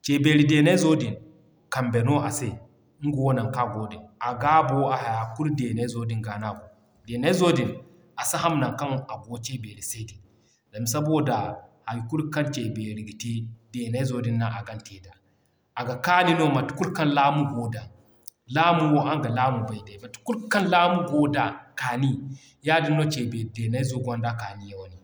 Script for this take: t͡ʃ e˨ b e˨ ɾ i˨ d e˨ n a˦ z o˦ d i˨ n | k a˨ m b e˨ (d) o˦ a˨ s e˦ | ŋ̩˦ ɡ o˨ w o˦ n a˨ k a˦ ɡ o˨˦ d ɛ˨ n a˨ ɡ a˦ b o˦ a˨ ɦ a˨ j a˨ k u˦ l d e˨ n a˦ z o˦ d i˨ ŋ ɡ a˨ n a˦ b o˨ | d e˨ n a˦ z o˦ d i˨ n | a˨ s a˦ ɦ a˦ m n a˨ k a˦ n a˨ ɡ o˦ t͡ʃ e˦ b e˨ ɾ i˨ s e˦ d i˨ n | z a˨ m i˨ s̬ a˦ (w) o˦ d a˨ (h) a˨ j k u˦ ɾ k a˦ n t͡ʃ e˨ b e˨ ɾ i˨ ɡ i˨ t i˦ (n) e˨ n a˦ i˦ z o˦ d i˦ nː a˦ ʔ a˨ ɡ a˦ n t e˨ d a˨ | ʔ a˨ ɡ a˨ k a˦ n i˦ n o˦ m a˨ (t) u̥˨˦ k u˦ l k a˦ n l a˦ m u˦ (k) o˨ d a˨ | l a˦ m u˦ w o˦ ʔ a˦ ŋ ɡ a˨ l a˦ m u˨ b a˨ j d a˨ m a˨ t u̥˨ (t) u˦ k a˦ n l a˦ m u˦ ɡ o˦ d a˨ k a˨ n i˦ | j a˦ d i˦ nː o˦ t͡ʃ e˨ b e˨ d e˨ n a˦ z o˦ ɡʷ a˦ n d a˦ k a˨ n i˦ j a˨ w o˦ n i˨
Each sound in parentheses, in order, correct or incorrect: incorrect, incorrect, correct, incorrect, correct, incorrect, incorrect

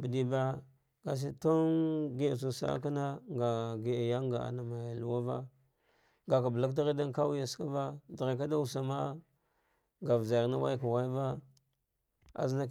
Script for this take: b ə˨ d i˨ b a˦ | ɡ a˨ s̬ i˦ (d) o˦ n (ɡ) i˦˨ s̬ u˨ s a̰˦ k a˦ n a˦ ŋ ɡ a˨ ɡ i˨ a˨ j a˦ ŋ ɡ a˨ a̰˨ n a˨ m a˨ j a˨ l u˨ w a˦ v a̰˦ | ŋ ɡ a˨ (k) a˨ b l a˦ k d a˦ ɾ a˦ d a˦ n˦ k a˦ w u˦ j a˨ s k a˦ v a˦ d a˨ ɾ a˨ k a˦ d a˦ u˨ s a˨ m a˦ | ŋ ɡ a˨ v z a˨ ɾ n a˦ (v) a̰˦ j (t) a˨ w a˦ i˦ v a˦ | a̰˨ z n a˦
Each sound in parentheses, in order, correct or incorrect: incorrect, correct, correct, incorrect, incorrect

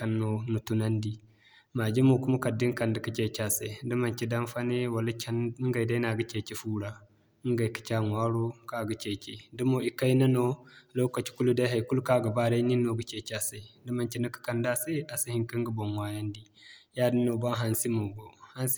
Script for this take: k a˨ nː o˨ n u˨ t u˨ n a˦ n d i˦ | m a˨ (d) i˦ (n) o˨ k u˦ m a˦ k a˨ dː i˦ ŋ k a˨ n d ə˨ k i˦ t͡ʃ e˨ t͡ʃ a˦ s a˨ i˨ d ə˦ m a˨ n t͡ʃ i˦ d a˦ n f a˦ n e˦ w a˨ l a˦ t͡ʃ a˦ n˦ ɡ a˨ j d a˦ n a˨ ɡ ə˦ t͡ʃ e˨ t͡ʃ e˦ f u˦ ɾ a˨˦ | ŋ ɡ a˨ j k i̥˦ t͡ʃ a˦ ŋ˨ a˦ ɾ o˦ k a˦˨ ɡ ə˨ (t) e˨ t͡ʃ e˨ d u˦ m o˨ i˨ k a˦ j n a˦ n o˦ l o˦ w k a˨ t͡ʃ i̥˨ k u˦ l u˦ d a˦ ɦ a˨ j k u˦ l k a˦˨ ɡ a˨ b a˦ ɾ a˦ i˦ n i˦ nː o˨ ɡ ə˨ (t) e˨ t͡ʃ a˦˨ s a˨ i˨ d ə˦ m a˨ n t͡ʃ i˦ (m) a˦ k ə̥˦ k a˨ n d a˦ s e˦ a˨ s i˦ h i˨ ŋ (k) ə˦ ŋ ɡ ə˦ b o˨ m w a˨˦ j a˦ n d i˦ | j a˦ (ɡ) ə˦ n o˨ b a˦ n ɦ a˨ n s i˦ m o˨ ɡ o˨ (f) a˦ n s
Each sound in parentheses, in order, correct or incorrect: incorrect, incorrect, incorrect, incorrect, incorrect, correct, incorrect, incorrect

